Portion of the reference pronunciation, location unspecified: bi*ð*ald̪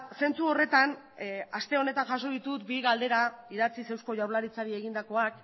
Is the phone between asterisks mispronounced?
yes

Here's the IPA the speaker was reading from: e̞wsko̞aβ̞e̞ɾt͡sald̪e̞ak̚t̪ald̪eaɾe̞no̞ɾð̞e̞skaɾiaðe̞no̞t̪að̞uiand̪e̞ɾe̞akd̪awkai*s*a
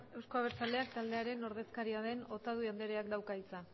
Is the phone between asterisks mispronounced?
yes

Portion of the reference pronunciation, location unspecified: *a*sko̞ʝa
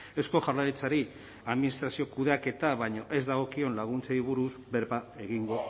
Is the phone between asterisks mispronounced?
yes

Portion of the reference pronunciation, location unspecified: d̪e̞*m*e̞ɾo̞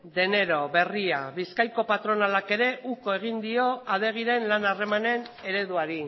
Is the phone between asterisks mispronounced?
yes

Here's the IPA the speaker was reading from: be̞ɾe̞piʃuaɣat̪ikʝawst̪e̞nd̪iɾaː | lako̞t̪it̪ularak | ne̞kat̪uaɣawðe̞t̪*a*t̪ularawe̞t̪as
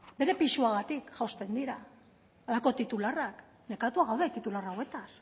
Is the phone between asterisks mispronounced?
yes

